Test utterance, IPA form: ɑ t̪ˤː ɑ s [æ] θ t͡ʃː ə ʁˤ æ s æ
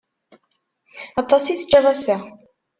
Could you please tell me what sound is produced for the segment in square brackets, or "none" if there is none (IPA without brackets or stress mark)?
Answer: i